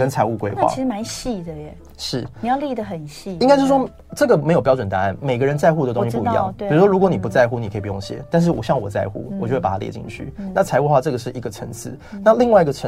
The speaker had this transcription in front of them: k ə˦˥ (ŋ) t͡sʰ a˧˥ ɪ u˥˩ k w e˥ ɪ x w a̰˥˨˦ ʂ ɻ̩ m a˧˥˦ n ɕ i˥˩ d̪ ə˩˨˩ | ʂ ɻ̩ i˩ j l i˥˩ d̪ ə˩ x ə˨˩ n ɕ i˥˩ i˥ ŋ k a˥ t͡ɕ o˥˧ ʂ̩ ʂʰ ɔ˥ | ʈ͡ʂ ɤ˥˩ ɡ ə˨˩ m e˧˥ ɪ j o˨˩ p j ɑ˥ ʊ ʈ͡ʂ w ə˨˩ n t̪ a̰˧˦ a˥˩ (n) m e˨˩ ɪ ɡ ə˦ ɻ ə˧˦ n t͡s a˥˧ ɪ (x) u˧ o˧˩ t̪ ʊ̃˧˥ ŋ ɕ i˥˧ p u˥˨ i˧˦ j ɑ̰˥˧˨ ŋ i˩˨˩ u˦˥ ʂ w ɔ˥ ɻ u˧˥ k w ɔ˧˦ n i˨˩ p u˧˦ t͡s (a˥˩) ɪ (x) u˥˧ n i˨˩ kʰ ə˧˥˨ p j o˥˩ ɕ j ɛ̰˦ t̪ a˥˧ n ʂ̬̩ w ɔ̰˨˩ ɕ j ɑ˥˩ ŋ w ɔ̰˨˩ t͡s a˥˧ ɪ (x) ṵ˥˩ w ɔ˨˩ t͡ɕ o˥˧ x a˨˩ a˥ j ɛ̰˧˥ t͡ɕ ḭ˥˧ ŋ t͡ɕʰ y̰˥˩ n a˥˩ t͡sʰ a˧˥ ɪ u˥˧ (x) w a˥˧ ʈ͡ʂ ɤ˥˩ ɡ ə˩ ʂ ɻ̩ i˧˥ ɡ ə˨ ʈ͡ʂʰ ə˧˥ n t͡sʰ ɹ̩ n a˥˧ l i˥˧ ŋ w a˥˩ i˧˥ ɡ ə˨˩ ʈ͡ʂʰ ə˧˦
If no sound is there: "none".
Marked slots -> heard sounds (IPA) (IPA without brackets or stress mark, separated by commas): n, n, x, a˥˧, x, x, x